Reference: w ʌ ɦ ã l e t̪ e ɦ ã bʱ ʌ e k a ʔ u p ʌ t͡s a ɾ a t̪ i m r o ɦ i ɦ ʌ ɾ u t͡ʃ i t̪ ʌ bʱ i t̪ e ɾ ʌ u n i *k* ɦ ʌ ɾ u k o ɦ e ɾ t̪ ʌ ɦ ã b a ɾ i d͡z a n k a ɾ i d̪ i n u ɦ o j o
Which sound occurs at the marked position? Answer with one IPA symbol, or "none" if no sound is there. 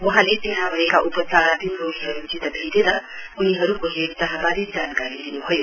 none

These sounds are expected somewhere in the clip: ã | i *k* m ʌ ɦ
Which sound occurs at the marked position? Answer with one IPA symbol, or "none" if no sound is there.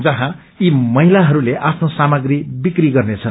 none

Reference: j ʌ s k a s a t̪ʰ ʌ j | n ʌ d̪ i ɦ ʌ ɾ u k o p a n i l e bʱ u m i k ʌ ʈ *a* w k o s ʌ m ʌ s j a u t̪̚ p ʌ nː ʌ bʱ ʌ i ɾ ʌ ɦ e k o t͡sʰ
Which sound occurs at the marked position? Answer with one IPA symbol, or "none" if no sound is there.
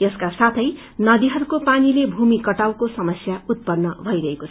a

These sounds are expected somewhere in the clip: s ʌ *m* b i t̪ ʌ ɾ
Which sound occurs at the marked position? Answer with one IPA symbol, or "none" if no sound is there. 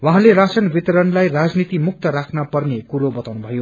n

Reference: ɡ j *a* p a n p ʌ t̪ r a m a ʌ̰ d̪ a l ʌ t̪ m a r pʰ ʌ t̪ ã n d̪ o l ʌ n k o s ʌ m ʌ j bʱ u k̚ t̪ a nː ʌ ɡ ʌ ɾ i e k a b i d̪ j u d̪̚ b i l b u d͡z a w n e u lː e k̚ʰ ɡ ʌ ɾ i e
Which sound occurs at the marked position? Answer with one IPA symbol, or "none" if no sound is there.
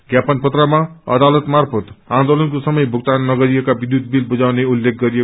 a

